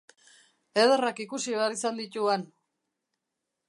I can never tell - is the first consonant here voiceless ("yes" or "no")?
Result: no